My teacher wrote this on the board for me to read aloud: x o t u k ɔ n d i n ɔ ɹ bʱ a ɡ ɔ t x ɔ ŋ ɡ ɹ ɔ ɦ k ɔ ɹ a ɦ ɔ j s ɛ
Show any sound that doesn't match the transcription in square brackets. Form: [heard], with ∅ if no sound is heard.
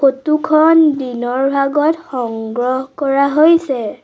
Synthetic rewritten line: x o t u [kʰ] ɔ n d i n ɔ ɹ bʱ a ɡ ɔ t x ɔ ŋ ɡ ɹ ɔ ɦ k ɔ ɹ a ɦ [o] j s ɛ